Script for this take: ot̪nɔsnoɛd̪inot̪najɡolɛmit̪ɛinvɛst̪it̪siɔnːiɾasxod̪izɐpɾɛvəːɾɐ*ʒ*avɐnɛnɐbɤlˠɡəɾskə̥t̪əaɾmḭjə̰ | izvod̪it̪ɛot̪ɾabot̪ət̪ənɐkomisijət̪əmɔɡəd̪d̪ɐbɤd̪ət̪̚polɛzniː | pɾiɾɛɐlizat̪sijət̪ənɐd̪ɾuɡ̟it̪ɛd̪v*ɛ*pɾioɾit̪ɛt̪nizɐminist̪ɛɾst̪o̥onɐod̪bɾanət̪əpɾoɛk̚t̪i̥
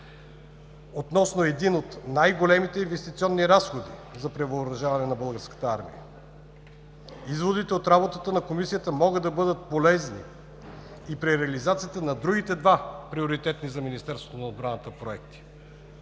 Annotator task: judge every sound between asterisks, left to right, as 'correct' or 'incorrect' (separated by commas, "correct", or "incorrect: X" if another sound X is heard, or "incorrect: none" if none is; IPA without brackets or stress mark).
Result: correct, incorrect: a